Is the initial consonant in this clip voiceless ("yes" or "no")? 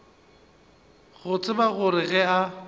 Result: no